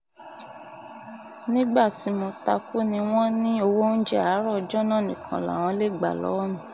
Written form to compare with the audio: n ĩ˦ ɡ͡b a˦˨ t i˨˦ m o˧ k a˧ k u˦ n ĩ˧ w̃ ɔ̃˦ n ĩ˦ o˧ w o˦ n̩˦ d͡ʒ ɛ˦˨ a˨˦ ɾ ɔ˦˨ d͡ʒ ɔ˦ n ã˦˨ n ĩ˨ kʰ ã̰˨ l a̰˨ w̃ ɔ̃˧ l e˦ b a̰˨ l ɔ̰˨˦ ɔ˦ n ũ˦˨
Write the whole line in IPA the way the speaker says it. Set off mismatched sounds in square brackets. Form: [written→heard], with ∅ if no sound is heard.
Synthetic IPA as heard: n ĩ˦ ɡ͡b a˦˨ t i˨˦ m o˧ [k→t] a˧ k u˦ n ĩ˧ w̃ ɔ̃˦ n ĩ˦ o˧ w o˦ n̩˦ d͡ʒ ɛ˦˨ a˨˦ ɾ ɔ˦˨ d͡ʒ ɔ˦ n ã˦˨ n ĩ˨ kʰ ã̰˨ l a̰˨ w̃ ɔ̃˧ l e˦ [b→ɡ͡b] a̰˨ l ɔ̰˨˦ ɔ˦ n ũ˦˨